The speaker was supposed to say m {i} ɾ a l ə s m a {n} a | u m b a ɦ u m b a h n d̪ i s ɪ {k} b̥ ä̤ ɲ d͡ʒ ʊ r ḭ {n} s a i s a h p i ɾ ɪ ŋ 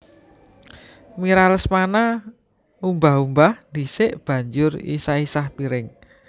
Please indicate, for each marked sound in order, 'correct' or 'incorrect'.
correct, correct, incorrect: ʔ, incorrect: none

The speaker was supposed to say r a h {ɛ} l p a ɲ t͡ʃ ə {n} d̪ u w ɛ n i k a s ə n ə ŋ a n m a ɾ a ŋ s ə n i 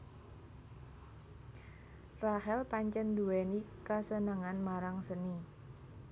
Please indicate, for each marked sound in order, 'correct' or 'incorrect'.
correct, correct

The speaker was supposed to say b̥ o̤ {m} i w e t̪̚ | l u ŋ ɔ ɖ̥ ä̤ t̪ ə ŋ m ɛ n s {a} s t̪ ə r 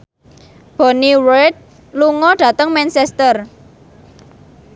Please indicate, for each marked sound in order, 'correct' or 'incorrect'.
incorrect: n, incorrect: ɛ

